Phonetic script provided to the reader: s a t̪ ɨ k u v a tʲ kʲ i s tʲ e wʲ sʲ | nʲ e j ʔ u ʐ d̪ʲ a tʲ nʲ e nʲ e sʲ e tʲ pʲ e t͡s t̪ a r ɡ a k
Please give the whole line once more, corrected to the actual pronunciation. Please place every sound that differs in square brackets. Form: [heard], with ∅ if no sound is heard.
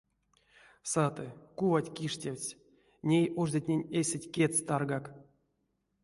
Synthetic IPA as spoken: s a t̪ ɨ k u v a tʲ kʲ i [ʂ] tʲ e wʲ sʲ | nʲ e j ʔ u ʐ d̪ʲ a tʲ nʲ e nʲ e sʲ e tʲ [kʲ] e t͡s t̪ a r ɡ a k